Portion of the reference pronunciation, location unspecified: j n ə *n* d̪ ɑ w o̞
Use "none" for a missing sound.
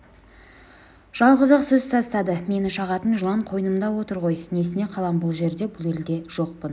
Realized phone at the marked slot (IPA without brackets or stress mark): m